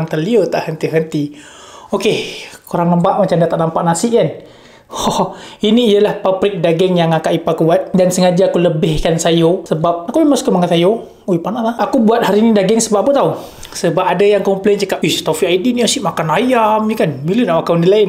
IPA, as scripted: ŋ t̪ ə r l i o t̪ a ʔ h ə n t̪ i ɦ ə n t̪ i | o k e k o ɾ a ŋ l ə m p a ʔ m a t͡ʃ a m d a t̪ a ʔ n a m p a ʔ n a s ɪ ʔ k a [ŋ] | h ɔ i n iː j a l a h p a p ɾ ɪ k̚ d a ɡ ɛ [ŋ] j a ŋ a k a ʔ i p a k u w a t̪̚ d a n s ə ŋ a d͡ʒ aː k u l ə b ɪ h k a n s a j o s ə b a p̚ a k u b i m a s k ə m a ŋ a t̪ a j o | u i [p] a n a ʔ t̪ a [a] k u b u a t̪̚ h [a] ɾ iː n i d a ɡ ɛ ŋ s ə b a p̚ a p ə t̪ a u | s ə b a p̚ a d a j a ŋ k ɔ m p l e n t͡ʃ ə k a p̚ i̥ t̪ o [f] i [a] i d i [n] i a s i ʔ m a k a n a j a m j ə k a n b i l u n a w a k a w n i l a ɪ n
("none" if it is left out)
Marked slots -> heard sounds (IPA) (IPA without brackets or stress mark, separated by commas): n, ŋ, p, a, a, f, a, n